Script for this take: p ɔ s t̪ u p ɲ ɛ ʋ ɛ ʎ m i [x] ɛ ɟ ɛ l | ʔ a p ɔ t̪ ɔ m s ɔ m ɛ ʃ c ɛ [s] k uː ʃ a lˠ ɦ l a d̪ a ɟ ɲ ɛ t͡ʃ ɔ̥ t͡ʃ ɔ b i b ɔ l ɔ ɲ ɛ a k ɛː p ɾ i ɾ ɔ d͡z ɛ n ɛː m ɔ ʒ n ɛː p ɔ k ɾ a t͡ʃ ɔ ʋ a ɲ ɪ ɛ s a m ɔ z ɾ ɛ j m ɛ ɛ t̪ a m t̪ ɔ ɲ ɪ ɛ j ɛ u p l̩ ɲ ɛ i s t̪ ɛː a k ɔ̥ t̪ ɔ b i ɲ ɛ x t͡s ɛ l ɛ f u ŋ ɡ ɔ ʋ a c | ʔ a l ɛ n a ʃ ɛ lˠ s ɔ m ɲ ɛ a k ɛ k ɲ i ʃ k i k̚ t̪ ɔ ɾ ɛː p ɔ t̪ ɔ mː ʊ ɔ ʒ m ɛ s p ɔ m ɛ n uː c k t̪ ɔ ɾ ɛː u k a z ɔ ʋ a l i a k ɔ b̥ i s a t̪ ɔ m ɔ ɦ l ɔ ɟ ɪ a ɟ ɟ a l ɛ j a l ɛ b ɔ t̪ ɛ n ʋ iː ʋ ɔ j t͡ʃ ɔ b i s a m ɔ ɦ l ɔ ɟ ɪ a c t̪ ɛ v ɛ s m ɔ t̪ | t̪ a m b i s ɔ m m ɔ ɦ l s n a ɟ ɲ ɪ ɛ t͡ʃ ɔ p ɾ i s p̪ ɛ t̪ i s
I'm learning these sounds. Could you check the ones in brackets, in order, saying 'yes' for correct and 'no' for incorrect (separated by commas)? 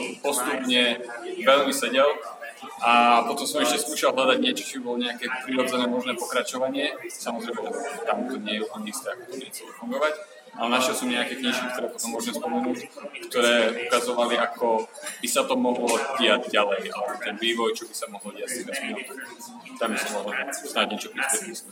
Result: no, yes